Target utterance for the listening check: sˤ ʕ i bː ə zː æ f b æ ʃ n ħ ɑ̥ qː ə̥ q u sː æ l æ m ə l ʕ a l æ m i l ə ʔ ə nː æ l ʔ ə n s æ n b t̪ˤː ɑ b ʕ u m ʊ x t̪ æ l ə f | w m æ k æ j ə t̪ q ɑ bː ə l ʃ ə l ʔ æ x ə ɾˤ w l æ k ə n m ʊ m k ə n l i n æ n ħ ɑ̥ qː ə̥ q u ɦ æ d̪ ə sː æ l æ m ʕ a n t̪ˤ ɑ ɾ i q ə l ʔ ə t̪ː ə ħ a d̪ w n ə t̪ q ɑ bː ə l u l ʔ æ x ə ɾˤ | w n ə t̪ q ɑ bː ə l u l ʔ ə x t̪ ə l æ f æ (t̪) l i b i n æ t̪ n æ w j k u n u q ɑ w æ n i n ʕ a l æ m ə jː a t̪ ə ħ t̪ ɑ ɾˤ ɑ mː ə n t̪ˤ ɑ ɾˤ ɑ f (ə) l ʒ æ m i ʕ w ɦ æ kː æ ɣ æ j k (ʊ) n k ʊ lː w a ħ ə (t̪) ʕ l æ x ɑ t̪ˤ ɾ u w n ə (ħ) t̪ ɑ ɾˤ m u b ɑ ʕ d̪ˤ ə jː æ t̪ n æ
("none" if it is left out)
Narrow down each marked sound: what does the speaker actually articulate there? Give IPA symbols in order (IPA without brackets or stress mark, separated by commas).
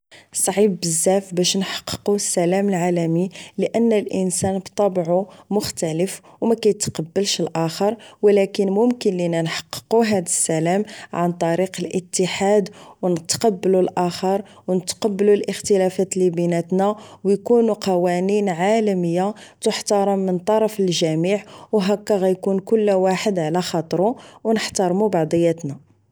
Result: t̪, ə, u, d̪, ħ